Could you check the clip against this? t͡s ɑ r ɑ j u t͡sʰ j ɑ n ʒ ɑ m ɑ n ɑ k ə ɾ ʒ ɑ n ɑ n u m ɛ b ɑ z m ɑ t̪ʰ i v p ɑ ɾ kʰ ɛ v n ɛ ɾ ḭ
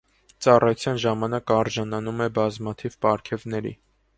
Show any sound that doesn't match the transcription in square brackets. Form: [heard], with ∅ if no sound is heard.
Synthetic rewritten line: t͡s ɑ r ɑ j u t͡sʰ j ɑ n ʒ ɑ m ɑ n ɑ k [ɑ] ɾ ʒ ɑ n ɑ n u m ɛ b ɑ z m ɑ t̪ʰ i v p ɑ ɾ kʰ ɛ v n ɛ ɾ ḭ